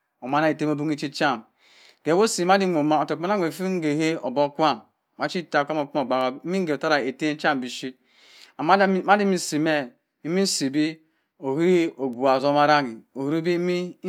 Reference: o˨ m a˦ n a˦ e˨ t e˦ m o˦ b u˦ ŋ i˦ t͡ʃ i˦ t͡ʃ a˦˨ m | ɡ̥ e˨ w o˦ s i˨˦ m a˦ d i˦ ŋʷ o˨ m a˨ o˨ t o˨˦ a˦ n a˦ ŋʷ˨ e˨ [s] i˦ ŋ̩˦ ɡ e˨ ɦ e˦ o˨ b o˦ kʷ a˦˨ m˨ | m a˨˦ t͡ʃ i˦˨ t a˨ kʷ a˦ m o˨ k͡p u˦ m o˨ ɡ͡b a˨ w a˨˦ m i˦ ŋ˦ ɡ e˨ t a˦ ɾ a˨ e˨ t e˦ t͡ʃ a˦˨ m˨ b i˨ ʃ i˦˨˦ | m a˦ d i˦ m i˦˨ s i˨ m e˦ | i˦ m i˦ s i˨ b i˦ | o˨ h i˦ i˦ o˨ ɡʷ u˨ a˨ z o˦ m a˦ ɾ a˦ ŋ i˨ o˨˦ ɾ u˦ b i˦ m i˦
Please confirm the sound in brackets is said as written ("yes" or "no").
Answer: no